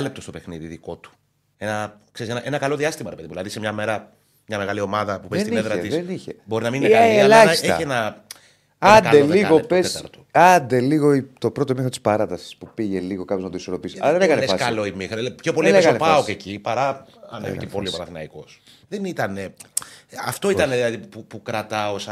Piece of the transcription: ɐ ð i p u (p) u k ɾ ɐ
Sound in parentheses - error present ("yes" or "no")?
no